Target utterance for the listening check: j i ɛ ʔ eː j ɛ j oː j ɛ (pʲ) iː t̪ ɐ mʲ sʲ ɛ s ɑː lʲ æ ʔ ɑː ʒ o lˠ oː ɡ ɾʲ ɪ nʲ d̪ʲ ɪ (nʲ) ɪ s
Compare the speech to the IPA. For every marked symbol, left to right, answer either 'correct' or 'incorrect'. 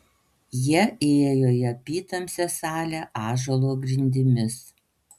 correct, incorrect: mʲ

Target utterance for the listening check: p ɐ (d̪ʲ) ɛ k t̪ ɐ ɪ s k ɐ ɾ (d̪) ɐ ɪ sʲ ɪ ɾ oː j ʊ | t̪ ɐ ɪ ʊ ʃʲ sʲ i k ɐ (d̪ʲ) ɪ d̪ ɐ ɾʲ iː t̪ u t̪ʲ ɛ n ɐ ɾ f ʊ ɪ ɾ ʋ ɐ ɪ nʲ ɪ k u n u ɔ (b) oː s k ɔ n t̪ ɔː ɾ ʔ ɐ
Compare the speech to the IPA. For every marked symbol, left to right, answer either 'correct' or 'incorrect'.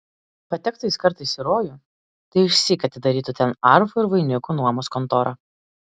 incorrect: t̪ʲ, incorrect: t̪, incorrect: t̪ʲ, incorrect: m

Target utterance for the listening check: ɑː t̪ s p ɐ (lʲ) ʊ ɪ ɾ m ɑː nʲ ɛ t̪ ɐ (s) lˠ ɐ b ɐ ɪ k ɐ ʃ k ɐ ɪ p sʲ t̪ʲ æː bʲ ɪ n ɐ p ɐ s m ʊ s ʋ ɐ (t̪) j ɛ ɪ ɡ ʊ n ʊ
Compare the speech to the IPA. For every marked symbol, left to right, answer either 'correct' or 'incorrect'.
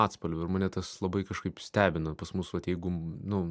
correct, correct, correct

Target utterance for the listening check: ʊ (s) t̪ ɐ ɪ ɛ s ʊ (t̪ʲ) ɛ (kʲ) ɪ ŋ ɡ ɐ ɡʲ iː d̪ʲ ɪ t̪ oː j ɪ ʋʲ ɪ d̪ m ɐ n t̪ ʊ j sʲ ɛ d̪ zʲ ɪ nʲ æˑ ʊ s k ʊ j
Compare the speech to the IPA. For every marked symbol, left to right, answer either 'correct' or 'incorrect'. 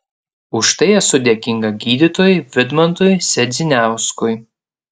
incorrect: ʃ, incorrect: d̪ʲ, correct

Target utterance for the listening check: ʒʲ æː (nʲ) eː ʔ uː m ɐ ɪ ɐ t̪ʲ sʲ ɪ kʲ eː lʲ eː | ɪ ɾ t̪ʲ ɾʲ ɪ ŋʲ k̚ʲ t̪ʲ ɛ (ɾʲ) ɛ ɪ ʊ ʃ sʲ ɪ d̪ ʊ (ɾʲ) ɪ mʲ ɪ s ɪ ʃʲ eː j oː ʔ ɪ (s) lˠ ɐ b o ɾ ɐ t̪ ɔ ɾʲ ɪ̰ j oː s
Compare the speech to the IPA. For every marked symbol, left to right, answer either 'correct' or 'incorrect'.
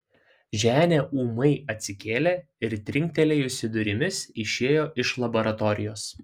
correct, incorrect: lʲ, correct, incorrect: ʃ

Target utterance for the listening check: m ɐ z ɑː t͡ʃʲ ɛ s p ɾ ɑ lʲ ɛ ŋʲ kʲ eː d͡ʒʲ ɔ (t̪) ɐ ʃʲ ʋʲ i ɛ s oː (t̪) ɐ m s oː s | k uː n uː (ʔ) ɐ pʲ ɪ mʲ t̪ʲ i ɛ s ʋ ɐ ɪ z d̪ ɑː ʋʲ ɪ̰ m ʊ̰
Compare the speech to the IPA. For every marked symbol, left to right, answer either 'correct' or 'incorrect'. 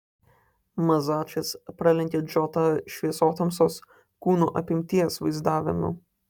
correct, correct, correct

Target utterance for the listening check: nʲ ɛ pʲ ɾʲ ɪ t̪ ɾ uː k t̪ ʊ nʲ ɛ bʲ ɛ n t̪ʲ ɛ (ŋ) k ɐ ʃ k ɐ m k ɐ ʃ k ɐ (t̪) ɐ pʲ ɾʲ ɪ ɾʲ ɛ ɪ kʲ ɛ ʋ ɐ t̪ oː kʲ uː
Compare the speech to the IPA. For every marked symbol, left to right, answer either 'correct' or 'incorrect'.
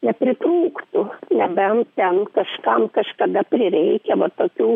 incorrect: n, incorrect: d̪

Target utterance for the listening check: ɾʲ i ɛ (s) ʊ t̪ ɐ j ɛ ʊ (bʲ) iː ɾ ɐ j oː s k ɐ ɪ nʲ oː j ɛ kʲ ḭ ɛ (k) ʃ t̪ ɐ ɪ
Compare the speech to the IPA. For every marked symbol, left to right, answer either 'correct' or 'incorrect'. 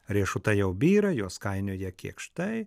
incorrect: ʃ, correct, correct

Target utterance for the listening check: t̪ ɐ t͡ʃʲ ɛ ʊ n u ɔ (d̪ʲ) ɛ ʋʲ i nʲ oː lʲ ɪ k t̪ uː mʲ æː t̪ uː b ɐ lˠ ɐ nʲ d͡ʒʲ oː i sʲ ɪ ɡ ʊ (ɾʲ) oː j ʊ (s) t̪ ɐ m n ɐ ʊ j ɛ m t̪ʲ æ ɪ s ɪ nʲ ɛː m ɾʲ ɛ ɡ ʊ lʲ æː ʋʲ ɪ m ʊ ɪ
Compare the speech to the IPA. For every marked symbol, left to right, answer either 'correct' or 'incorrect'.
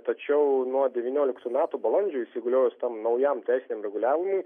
correct, incorrect: lʲ, correct

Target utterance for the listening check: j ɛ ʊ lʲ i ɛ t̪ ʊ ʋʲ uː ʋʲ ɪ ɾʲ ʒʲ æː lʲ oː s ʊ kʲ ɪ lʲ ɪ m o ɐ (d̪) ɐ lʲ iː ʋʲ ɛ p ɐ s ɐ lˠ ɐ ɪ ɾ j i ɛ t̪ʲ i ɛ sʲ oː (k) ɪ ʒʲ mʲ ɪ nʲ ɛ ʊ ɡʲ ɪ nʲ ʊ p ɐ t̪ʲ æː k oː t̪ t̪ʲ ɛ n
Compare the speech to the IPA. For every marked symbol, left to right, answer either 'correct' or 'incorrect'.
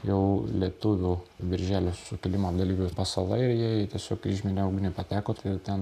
correct, correct

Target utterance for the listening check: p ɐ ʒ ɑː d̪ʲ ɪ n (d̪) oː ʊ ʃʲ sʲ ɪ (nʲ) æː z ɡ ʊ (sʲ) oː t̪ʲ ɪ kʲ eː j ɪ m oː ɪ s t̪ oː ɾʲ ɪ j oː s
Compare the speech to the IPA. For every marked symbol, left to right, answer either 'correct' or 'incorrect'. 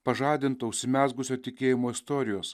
incorrect: t̪, incorrect: mʲ, correct

